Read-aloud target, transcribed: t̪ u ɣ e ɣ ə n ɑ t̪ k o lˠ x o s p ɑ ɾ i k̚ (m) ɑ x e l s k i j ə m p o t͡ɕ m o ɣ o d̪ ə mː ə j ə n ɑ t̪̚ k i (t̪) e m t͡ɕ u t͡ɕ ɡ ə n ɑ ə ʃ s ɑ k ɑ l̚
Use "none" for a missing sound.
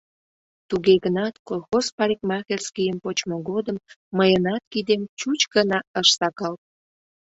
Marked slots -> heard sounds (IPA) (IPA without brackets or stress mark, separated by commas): m, d̪